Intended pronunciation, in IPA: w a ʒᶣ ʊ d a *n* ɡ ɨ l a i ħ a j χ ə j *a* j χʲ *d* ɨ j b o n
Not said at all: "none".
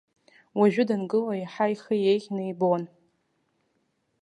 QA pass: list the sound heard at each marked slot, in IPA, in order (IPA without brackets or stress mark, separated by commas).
n, e, n